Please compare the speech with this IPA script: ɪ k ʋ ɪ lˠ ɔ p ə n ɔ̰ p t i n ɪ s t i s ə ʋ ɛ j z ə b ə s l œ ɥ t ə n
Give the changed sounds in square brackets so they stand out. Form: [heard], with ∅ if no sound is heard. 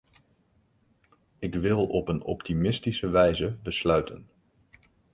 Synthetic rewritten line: ɪ k ʋ ɪ lˠ ɔ p ə n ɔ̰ p t i [m] ɪ s t i s ə ʋ ɛ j z ə b ə s l œ ɥ t ə n